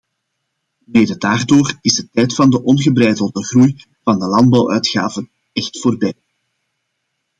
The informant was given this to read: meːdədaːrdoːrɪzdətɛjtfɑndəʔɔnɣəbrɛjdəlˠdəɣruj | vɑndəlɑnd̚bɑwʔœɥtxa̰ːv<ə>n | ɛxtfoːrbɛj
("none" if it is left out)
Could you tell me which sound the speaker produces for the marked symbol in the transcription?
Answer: ə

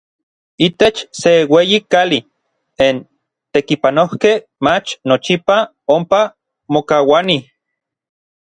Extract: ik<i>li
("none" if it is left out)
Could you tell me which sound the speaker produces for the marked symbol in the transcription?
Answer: a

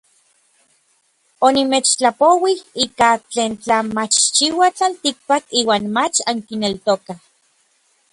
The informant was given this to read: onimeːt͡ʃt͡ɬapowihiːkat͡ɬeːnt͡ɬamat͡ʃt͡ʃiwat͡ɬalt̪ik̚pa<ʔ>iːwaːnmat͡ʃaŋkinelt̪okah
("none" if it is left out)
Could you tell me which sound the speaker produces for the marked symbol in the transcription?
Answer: k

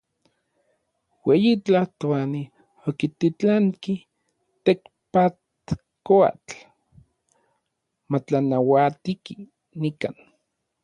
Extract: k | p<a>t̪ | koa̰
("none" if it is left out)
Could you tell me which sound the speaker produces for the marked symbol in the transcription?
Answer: a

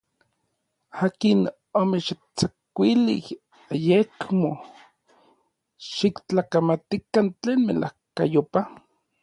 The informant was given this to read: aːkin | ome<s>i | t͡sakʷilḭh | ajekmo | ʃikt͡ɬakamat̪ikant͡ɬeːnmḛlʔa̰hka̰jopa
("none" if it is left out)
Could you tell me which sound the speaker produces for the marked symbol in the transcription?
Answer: ʃ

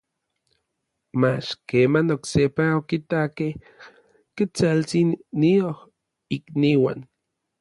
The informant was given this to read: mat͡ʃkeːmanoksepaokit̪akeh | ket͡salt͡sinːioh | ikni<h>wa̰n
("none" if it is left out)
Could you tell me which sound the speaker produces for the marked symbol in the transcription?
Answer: none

